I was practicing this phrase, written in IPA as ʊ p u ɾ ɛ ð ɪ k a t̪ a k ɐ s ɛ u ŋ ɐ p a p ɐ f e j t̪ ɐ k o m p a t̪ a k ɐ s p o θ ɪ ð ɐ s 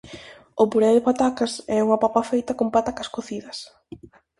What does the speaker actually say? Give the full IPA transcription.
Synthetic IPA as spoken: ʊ p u ɾ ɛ ð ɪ p a t̪ a k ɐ s ɛ u ŋ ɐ p a p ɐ f e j t̪ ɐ k o m p a t̪ a k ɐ s k o θ i ð ɐ s